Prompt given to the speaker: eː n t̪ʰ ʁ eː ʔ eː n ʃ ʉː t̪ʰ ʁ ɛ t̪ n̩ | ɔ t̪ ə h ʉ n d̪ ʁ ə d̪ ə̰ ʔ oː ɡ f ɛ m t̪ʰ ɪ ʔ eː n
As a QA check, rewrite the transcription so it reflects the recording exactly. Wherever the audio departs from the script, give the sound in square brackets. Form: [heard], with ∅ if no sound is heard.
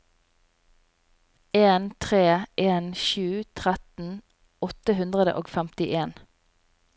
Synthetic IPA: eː n t̪ʰ ʁ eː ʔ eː n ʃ ʉː t̪ʰ ʁ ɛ t̪ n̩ | ɔ t̪ ə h ʉ n d̪ ʁ ə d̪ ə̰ ʔ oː ɡ f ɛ m [t̪] ɪ ʔ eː n